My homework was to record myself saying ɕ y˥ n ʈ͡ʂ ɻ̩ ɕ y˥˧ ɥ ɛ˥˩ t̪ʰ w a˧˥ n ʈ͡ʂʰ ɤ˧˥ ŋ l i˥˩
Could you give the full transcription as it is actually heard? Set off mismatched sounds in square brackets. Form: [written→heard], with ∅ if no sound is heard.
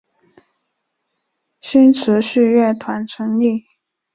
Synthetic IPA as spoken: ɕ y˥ n [ʈ͡ʂ→ʈ͡ʂʰ] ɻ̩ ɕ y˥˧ ɥ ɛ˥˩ t̪ʰ w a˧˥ n ʈ͡ʂʰ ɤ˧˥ ŋ l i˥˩